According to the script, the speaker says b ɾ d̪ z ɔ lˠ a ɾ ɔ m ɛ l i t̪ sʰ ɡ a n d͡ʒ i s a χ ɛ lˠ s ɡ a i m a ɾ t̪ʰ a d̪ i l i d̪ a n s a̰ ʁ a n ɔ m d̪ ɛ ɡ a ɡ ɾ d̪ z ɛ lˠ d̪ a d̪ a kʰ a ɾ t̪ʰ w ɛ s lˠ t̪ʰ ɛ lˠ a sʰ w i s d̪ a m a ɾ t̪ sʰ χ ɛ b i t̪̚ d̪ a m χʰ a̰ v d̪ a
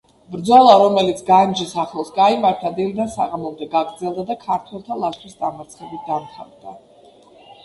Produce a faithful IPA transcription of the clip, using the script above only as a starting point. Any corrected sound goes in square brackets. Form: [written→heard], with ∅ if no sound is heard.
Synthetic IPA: b ɾ d̪ z ɔ lˠ a ɾ ɔ m ɛ l i t̪ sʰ ɡ a n d͡ʒ i s a χ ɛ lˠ s ɡ a i m a ɾ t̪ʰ a d̪ i l i d̪ a n s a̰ ʁ a [n→m] ɔ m d̪ ɛ ɡ a ɡ ɾ d̪ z ɛ lˠ d̪ a d̪ a kʰ a ɾ t̪ʰ w ɛ [s→∅] lˠ t̪ʰ [ɛ→a] lˠ a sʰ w i s d̪ a m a ɾ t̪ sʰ χ ɛ b i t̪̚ d̪ a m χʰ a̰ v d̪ a